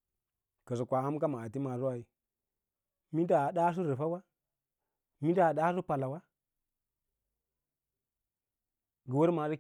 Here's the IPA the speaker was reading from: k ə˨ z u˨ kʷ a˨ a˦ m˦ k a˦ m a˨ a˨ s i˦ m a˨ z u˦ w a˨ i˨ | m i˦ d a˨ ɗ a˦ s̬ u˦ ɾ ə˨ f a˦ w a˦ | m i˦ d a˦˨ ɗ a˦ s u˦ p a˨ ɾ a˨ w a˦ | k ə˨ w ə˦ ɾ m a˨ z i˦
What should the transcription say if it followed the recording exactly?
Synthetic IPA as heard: k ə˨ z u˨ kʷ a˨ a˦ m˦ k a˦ m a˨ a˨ t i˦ m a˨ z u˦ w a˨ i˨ | m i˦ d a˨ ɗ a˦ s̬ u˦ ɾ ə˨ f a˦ w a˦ | m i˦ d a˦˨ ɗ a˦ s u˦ p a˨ l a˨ w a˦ | ɡ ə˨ w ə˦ ɾ m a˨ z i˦

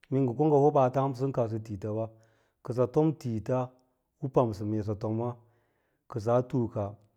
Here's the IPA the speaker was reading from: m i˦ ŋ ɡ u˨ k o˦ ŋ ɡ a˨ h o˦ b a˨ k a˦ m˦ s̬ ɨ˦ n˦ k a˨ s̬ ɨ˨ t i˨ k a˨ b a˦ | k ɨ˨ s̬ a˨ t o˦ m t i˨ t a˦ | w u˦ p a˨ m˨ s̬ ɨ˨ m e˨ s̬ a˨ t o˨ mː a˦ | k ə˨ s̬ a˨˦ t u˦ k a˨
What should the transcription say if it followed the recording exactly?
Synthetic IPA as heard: m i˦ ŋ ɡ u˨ k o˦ ŋ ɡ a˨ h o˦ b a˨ t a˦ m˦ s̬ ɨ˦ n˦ k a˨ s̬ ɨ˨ t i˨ t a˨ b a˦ | k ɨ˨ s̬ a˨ t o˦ m t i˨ t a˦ | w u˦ p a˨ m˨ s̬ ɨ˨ m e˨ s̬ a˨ t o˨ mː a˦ | k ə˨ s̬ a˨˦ t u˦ k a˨

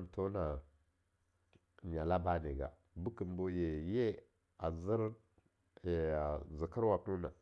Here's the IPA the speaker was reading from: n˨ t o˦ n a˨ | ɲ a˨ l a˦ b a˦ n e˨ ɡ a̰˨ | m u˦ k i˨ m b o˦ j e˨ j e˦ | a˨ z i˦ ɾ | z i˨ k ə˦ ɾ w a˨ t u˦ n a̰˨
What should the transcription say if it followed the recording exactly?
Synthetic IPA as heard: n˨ t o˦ n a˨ | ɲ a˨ l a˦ b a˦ n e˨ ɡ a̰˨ | b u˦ k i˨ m b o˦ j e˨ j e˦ | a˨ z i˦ ɾ | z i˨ k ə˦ ɾ w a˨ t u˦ n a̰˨

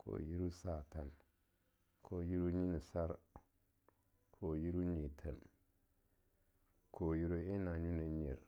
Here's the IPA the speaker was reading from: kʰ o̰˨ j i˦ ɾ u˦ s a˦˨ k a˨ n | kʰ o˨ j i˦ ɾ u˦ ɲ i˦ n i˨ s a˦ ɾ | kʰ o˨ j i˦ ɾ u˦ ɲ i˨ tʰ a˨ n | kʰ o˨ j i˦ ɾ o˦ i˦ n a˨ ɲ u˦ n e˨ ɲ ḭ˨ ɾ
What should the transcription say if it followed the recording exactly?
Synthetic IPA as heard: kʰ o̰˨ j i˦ ɾ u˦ s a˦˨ t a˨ n | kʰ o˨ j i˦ ɾ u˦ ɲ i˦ n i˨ s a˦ ɾ | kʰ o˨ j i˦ ɾ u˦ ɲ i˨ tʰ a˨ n | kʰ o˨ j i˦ ɾ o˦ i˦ n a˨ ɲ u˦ n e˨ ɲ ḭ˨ ɾ

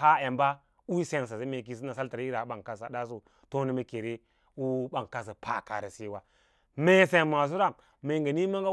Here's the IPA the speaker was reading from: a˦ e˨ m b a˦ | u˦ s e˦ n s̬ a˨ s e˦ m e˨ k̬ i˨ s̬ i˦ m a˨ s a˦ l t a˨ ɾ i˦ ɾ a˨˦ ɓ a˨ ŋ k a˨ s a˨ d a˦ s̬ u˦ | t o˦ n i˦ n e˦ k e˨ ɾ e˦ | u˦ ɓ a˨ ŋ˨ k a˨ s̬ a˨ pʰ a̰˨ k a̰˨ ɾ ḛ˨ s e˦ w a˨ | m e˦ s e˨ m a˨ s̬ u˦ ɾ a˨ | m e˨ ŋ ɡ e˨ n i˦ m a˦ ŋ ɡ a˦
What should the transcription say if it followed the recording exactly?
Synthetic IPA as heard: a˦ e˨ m b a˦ | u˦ s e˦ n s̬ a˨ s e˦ m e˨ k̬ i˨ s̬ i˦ n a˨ s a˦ l t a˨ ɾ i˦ ɾ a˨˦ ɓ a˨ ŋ k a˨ s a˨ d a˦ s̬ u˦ | t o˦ n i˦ m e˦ k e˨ ɾ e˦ | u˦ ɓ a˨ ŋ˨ k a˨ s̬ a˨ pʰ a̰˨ k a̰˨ ɾ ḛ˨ s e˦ w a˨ | m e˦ s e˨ m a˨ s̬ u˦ ɾ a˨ | m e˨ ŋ ɡ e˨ n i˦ m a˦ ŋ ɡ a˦

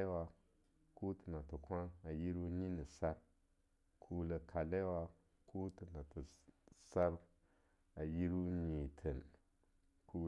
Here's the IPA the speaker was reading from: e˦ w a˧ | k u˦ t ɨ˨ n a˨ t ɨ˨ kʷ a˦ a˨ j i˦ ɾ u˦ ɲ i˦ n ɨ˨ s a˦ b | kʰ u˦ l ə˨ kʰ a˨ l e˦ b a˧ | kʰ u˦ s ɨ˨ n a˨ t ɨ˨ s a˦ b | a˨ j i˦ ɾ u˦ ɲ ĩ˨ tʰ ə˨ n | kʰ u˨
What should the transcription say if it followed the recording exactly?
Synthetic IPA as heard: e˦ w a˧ | k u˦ t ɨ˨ n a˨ t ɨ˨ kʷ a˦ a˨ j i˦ ɾ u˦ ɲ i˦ n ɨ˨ s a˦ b | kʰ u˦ l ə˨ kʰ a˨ l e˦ w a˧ | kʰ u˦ t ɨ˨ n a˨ t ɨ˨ s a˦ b | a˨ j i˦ ɾ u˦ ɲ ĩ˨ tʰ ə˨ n | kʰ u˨

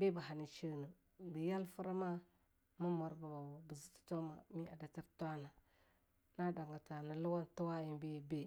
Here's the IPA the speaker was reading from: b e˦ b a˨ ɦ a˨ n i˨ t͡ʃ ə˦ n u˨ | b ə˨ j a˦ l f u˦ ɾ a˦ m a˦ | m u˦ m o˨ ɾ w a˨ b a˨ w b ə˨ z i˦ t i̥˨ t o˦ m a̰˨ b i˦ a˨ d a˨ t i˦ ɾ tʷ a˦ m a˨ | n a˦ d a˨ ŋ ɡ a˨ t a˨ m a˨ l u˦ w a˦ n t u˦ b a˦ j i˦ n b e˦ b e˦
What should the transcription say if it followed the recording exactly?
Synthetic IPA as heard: b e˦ b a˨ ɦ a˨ n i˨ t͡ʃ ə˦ n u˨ | b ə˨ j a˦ l f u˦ ɾ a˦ m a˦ | m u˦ m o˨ ɾ b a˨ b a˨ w b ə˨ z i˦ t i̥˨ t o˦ m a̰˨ m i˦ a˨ d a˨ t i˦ ɾ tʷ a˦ n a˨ | n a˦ d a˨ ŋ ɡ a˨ t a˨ n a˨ l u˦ w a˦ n t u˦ w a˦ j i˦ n b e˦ b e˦

